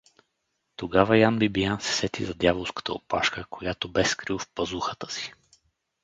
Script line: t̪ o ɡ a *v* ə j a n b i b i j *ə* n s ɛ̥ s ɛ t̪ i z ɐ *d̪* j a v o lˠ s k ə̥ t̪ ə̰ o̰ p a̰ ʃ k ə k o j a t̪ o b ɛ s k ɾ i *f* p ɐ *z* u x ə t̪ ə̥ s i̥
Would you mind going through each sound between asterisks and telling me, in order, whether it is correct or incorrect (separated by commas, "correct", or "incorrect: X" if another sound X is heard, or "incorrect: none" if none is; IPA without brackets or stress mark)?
correct, incorrect: a, correct, correct, correct